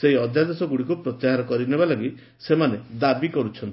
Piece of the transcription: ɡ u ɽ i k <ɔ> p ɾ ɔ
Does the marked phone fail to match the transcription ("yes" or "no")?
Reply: yes